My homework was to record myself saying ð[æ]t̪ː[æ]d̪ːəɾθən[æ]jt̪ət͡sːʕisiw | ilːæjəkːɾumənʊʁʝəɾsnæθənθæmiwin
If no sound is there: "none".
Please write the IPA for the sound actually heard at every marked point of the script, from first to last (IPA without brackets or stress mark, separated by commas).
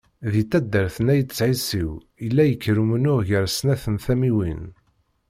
i, æ, æ